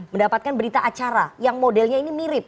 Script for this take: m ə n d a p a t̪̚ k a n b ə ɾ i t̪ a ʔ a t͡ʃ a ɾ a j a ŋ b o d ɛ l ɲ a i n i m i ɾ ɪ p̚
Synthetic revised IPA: m ə n d a p a t̪̚ k a n b ə ɾ i t̪ a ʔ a t͡ʃ a ɾ a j a ŋ m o d ɛ l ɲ a i n i m i ɾ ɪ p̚